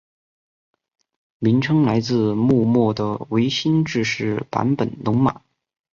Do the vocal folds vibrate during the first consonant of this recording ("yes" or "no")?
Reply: yes